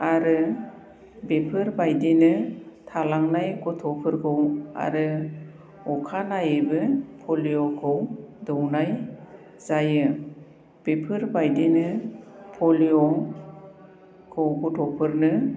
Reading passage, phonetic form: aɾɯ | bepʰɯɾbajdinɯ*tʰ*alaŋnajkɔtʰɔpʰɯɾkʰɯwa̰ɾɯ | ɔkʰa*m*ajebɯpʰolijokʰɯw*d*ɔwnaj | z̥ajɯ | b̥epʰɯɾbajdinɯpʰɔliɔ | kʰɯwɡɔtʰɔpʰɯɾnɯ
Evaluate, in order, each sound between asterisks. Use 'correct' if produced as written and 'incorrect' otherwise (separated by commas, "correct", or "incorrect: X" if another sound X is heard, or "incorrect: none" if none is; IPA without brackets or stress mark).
correct, incorrect: n, correct